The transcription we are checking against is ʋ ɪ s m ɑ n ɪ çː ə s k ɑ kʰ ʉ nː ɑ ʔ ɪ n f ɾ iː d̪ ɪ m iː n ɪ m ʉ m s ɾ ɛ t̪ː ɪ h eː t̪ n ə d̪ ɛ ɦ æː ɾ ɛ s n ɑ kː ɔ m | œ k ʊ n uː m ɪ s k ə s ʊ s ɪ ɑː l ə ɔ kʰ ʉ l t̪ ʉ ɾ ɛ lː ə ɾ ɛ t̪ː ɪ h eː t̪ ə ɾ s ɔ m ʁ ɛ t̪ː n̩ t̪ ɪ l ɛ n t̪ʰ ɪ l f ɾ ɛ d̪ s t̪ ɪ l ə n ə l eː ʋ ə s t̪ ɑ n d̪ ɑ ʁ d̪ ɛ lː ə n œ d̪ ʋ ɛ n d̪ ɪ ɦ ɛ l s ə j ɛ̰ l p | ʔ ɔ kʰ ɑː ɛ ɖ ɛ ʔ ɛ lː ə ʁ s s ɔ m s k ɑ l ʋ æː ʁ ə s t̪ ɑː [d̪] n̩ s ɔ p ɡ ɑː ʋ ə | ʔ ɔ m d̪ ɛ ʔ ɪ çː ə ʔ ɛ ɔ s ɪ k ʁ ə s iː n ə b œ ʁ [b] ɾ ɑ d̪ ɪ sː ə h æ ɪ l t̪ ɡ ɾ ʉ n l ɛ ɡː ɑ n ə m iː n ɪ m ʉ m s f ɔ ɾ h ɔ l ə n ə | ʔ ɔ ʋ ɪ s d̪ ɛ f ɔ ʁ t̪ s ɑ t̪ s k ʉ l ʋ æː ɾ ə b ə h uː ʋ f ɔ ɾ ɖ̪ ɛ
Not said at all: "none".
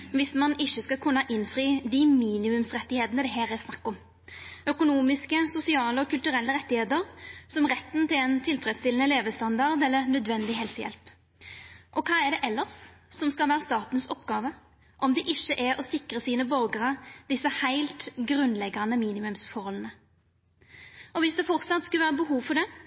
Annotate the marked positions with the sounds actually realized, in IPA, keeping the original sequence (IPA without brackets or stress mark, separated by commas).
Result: t̪, ɡ